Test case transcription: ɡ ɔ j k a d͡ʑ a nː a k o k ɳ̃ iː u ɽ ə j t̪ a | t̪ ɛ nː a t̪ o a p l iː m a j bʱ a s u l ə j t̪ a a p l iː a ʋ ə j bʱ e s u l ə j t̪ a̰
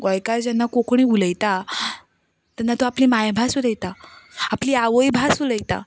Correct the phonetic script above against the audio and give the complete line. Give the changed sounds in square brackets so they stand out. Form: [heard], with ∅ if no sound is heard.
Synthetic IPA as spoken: ɡ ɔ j k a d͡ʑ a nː a k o k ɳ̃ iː u [l] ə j t̪ a | t̪ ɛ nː a t̪ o a p l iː m a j bʱ a s u l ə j t̪ a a p l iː a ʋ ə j bʱ [a] s u l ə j t̪ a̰